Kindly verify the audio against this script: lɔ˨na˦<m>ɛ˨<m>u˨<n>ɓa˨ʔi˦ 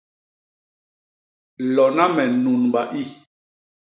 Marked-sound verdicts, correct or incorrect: correct, incorrect, correct

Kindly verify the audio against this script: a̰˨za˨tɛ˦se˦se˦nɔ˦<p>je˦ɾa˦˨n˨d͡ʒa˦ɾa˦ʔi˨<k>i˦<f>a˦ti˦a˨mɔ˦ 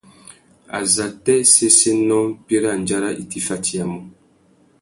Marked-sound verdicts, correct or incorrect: correct, incorrect, correct

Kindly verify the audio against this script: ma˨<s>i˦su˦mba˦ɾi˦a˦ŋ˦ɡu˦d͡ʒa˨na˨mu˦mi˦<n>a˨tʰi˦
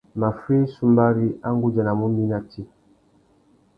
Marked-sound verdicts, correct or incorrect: incorrect, correct

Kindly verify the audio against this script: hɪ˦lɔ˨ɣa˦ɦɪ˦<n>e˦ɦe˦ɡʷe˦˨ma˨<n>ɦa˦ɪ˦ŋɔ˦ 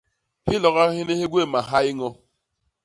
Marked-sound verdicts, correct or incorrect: correct, incorrect

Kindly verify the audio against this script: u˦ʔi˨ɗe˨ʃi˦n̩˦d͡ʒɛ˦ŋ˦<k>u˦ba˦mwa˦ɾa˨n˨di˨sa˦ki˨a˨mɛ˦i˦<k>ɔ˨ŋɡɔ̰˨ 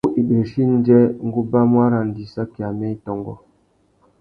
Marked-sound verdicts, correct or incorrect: incorrect, incorrect

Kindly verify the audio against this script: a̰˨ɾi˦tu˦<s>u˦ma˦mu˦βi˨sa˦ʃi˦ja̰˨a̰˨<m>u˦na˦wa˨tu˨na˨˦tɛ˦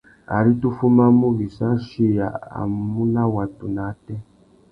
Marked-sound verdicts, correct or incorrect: incorrect, correct

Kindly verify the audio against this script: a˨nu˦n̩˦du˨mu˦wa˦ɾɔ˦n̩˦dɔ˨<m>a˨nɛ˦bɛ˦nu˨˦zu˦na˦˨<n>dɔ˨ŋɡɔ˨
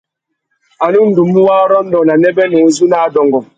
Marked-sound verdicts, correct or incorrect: incorrect, incorrect

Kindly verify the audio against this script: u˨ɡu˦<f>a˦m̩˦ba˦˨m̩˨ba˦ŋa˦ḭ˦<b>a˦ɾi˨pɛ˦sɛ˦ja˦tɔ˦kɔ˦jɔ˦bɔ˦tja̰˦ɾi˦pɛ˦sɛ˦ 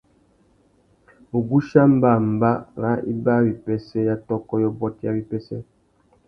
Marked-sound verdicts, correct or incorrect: incorrect, correct

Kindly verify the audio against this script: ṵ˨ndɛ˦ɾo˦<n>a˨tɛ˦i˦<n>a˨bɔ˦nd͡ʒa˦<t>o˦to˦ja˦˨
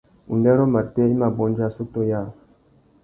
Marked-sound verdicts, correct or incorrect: incorrect, incorrect, incorrect

